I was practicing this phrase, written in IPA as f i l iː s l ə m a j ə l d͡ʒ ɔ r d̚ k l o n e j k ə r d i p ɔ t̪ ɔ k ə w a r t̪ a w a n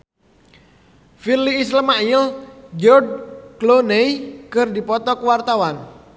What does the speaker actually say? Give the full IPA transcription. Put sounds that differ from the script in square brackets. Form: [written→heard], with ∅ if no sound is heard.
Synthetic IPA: f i l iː s l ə m a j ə l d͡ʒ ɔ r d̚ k l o n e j k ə r d i p ɔ t̪ ɔ k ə w a r t̪ a w a n